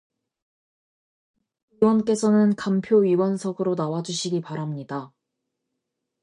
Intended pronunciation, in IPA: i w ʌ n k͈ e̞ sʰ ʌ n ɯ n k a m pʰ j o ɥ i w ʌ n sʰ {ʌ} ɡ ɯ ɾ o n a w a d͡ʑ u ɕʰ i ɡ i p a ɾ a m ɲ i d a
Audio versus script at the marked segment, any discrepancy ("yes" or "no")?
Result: no